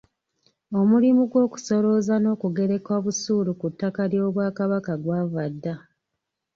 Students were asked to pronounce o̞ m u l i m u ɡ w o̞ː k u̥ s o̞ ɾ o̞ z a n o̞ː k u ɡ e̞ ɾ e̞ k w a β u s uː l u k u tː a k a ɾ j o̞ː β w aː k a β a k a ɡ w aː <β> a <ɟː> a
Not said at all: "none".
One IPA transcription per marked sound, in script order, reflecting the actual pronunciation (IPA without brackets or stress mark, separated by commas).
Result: v, dː